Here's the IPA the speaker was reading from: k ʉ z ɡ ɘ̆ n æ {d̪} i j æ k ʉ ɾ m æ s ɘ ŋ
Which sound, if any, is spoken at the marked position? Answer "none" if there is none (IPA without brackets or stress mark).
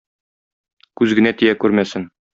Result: t̪